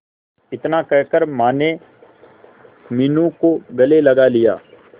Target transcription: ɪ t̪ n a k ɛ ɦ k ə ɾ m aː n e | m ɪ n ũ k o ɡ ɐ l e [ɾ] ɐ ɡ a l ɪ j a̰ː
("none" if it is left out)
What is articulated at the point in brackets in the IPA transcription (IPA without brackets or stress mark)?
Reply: l